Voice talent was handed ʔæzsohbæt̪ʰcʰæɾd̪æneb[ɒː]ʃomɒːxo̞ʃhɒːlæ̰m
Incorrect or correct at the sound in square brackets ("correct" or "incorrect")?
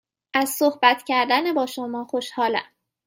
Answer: correct